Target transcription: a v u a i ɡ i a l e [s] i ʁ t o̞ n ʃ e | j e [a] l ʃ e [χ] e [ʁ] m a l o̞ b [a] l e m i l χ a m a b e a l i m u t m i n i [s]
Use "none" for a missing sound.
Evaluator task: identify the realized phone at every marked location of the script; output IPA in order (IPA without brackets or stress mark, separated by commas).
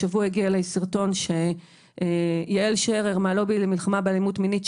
s, e, ʁ, ʁ, i, t